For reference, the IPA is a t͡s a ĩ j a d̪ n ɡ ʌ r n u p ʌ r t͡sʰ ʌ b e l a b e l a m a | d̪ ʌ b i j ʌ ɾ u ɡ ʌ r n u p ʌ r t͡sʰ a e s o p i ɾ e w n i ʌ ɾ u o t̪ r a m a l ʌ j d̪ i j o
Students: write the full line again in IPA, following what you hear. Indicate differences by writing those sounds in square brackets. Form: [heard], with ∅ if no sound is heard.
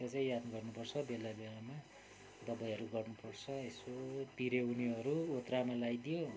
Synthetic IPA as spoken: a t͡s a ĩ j a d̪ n ɡ ʌ r n u p ʌ r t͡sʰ ʌ b e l a b e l a m a | d̪ ʌ b [a] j ʌ ɾ u ɡ ʌ r n u p ʌ r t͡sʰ [ʌ] e s o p i ɾ e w n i ʌ ɾ u o t̪ r a m a l [a] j d̪ i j o